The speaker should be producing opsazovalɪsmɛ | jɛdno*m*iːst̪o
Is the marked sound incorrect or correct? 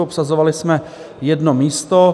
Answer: correct